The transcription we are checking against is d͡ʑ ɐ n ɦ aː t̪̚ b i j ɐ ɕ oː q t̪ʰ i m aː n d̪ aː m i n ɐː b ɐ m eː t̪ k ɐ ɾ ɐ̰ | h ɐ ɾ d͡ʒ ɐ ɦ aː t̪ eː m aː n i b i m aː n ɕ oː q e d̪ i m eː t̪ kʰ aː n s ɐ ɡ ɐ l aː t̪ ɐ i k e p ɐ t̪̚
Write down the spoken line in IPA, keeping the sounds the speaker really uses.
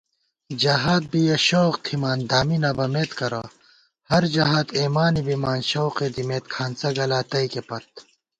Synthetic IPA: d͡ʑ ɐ ɦ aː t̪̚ b i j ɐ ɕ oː q t̪ʰ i m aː n d̪ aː m i n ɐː b ɐ m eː t̪ k ɐ ɾ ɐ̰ | h ɐ ɾ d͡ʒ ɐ ɦ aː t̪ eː m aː n i b i m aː n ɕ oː q e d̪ i m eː t̪ kʰ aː n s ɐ ɡ ɐ l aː t̪ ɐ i k e p ɐ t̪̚